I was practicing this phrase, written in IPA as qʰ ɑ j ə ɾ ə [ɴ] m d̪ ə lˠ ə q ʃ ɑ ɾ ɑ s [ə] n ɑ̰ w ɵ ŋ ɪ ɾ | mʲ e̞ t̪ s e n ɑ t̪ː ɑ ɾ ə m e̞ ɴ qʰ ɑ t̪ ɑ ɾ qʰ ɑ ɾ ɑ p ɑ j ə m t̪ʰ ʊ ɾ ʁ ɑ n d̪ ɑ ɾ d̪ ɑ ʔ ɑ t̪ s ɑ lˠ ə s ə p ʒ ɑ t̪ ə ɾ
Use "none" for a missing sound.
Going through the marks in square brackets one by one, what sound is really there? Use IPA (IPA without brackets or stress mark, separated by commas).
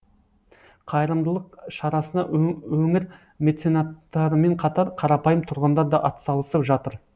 none, ə